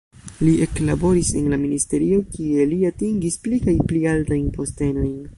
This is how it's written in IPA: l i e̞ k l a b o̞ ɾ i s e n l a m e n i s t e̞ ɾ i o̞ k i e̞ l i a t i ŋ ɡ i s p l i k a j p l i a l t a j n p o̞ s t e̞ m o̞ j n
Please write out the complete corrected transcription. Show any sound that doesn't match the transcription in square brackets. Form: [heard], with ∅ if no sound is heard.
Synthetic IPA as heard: l i e̞ k l a b o̞ ɾ i s e n l a m [i] n i s t e̞ ɾ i o̞ k i e̞ l i a t i ŋ ɡ i s p l i k a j p l i a l t a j n p o̞ s t e̞ [n] o̞ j n